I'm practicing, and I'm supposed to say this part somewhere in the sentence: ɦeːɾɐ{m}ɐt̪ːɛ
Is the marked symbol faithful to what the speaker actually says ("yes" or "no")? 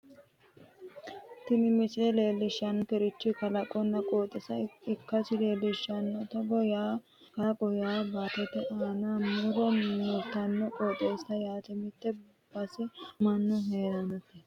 no